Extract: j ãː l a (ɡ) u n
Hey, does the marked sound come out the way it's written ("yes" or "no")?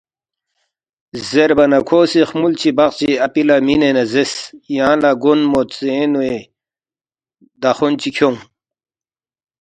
yes